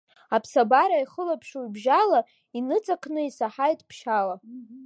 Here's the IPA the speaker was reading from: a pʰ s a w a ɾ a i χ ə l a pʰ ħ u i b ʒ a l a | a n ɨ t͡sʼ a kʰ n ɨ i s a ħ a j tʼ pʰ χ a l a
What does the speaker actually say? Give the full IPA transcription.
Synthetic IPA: a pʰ s a b a ɾ a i χ ə l a pʰ ʂ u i b ʒ a l a | i n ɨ t͡sʼ a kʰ n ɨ i s a ħ a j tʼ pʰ ʃ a l a

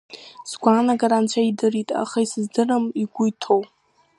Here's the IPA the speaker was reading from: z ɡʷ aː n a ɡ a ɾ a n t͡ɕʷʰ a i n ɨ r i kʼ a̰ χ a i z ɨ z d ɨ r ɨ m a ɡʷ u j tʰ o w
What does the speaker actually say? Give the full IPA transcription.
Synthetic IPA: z ɡʷ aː n a ɡ a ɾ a n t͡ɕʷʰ a i d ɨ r i tʼ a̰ χ a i s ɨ z d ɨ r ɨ m i ɡʷ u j tʰ o w

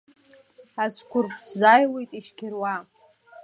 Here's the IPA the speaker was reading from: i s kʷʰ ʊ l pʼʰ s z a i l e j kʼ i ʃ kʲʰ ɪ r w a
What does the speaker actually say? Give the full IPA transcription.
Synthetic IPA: a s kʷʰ ʊ r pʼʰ s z a j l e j tʼ i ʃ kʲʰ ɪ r w a

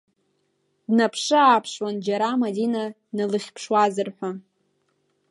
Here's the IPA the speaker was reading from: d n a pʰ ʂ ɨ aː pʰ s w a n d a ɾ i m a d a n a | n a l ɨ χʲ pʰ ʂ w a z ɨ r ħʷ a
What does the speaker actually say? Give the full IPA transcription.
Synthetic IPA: d n a pʰ ʂ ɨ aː pʰ ʂ w a n d͡ʒ a ɾ a m a d i n a | n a l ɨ χʲ pʰ ʂ w a z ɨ r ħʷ a

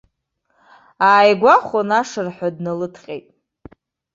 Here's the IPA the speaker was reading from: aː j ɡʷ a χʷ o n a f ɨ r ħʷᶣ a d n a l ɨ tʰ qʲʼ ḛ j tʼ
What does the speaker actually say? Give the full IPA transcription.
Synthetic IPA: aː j ɡʷ a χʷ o n a ʂ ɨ r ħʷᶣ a d n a l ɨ tʰ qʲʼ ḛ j tʼ

